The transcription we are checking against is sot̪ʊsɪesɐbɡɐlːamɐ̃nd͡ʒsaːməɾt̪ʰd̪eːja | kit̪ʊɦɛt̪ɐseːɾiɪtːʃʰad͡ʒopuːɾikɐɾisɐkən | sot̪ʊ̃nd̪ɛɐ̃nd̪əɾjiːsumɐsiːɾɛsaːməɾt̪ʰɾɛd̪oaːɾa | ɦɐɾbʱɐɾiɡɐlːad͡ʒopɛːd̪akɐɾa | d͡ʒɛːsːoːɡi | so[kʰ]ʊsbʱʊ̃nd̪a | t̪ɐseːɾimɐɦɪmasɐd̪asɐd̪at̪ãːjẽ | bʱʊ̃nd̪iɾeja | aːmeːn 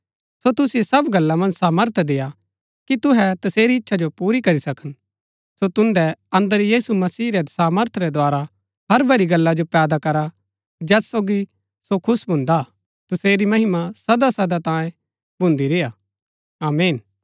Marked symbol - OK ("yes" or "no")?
yes